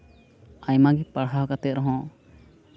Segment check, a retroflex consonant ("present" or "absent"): present